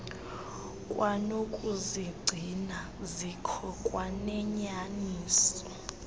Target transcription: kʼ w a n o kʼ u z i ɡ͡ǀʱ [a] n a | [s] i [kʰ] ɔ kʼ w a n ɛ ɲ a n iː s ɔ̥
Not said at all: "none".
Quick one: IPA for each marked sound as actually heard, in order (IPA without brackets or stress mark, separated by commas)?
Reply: i, z, kʰ